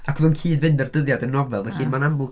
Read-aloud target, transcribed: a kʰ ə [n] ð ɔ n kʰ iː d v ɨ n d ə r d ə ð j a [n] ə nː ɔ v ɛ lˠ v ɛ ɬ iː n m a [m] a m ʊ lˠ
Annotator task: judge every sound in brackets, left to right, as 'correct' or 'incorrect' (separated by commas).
incorrect, incorrect, incorrect